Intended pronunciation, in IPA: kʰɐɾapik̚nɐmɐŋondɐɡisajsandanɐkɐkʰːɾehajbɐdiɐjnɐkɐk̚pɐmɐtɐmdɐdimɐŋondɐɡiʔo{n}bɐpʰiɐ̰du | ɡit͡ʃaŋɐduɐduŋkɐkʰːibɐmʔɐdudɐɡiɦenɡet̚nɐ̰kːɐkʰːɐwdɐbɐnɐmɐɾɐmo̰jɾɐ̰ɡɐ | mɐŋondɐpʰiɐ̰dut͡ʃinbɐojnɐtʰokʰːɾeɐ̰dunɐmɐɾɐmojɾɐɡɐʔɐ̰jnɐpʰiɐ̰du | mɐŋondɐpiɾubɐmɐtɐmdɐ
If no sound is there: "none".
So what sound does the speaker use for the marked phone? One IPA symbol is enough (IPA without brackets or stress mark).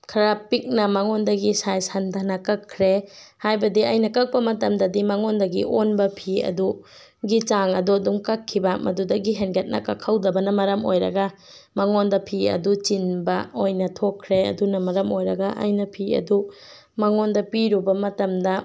n